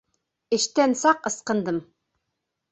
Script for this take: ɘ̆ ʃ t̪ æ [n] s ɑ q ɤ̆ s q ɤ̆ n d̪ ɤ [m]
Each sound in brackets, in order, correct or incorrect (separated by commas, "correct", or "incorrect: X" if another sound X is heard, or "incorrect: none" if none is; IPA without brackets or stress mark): correct, correct